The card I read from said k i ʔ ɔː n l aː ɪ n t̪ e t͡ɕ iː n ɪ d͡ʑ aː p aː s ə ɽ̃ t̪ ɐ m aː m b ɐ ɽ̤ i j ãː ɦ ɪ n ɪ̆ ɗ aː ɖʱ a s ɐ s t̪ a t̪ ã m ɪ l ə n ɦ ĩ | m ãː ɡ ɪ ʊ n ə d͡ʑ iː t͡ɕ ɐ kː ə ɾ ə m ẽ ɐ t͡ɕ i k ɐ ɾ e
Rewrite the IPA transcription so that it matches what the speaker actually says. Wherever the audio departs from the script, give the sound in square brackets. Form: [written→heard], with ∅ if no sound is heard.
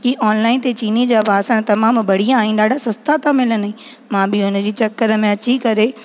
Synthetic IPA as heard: k i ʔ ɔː n l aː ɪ n t̪ e t͡ɕ iː n [ɪ→i] d͡ʑ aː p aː s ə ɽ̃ t̪ ɐ m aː m b ɐ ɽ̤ i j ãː ɦ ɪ n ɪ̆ ɗ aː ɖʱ a s ɐ s t̪ a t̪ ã m ɪ l ə n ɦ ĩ | m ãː [ɡ→b] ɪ ʊ n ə d͡ʑ iː t͡ɕ ɐ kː ə ɾ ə m ẽ ɐ t͡ɕ i k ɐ ɾ e

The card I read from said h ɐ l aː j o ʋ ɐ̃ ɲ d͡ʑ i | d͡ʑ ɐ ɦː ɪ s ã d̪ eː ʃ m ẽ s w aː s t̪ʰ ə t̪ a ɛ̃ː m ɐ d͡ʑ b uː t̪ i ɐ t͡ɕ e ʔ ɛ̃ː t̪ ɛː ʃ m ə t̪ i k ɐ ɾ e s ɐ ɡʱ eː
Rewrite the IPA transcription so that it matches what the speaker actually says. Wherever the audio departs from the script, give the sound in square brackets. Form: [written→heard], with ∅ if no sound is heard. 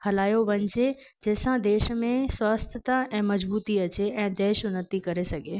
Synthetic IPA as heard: h ɐ l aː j o ʋ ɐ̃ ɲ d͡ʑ [i→e] | d͡ʑ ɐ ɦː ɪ s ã d̪ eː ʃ m ẽ s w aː s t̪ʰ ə t̪ a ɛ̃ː m ɐ d͡ʑ b uː t̪ i ɐ t͡ɕ e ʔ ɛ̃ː [t̪→d̪] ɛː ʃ [m→n] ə t̪ i k ɐ ɾ e s ɐ ɡʱ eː

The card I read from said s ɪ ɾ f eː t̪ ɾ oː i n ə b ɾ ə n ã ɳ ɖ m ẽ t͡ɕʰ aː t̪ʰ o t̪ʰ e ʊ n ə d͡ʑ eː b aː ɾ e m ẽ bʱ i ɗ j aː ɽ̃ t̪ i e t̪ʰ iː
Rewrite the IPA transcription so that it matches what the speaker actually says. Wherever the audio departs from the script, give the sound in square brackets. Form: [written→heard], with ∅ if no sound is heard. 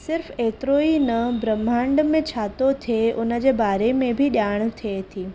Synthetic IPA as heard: s ɪ ɾ f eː t̪ ɾ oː i n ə b ɾ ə [n→m] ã ɳ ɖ m ẽ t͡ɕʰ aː [t̪ʰ→t̪] o t̪ʰ e ʊ n ə d͡ʑ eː b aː ɾ e m ẽ bʱ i ɗ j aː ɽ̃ [t̪→t̪ʰ] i e t̪ʰ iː

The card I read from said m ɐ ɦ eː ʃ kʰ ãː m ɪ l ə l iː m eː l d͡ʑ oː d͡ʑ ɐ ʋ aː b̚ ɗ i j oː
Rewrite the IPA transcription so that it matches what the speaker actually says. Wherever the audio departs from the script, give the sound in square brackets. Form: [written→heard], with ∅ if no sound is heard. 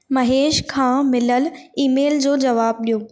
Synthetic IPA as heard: m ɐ ɦ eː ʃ kʰ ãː m ɪ l ə l iː m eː l d͡ʑ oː d͡ʑ ɐ ʋ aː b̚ ɗ i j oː

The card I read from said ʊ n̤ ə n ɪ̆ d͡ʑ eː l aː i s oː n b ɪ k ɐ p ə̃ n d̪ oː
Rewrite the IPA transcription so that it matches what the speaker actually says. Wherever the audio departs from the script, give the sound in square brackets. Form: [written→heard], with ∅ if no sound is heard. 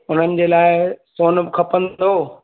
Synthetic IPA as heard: ʊ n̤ ə n ɪ̆ d͡ʑ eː l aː [i→ɪ] s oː n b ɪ [k→kʰ] ɐ p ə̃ n d̪ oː

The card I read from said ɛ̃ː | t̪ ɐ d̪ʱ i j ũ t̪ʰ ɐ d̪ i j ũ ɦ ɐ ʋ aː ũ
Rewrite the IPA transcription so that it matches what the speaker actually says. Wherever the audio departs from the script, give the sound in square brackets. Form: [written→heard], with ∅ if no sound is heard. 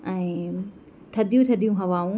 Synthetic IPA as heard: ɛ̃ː | [t̪→t̪ʰ] ɐ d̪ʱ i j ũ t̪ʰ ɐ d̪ i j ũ ɦ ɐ ʋ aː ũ

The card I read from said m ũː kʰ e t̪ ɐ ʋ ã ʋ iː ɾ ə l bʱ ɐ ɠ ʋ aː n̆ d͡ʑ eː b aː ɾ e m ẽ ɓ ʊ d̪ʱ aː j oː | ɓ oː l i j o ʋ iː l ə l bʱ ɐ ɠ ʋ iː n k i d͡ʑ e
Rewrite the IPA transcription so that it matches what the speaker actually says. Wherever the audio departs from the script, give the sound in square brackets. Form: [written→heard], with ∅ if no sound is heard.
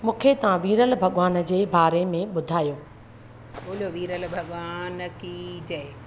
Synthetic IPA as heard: m ũː kʰ e t̪ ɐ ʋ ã ʋ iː ɾ ə l bʱ ɐ ɠ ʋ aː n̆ d͡ʑ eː b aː ɾ e m ẽ ɓ ʊ d̪ʱ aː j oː | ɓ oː l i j o ʋ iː [l→ɾ] ə l bʱ ɐ ɠ ʋ [iː→aː] n k i d͡ʑ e

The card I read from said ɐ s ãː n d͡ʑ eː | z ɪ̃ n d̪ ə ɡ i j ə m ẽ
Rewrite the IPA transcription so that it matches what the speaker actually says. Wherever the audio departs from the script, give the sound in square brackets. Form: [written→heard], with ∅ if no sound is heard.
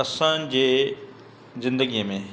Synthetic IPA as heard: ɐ s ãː n d͡ʑ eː | z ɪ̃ n d̪ ə ɡ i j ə m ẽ

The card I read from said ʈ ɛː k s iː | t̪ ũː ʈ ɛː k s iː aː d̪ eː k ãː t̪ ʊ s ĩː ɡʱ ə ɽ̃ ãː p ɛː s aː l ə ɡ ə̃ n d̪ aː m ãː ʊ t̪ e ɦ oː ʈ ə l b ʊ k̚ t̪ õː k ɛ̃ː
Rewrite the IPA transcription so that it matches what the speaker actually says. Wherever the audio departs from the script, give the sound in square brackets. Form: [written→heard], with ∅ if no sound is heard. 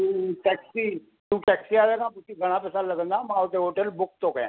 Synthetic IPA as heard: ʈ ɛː k s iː | t̪ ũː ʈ ɛː k s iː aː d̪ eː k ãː t̪ ʊ s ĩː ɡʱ ə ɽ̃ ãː p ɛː s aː l ə ɡ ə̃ n d̪ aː m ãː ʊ t̪ e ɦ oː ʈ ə l b ʊ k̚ t̪ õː k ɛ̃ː

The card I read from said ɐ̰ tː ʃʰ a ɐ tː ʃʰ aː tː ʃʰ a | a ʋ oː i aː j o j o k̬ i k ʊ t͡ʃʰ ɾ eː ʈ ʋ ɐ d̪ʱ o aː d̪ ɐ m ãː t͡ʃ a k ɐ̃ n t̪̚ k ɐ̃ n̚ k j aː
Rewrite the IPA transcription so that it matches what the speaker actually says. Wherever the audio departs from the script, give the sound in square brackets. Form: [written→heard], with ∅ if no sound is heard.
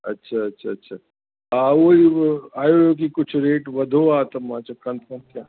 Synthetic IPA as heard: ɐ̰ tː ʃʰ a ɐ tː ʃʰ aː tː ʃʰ a | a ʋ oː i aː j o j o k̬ i k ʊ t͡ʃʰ ɾ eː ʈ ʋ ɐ d̪ʱ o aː [d̪→t̪] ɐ m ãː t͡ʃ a k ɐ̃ n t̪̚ k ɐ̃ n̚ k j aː

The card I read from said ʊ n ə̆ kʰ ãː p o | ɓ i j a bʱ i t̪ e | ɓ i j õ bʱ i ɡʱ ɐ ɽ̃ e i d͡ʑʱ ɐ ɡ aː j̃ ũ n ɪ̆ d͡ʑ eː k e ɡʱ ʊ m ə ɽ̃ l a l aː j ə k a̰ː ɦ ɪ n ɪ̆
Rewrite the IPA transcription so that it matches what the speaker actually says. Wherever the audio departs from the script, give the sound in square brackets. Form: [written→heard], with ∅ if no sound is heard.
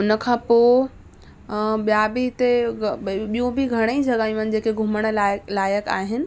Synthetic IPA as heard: ʊ n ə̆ kʰ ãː p o | ɓ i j a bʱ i t̪ e | ɓ i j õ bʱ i ɡʱ ɐ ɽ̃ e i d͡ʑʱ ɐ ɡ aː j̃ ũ n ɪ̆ d͡ʑ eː k e ɡʱ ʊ m ə ɽ̃ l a l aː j ə k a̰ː ɦ ɪ n ɪ̆

